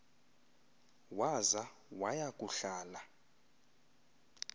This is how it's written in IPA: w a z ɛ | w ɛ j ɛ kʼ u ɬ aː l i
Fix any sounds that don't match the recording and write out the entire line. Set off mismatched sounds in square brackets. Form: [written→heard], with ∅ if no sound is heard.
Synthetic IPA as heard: w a z [ɛ→a] | w [ɛ→a] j [ɛ→a] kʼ u ɬ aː l [i→a]